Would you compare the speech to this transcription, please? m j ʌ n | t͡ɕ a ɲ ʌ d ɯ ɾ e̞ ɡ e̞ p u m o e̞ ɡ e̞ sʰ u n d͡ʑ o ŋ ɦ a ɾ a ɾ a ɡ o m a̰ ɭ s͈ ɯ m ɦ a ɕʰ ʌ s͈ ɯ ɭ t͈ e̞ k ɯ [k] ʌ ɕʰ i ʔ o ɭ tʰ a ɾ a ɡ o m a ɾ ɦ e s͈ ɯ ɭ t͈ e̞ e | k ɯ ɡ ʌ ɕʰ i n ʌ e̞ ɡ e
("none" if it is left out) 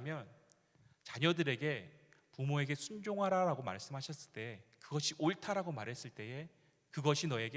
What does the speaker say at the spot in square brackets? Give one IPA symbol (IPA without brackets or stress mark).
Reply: ɡ